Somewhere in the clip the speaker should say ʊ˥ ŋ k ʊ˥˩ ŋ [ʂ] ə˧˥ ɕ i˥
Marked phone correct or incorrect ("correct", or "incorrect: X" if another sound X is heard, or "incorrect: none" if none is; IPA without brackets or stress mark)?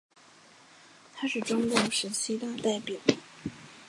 correct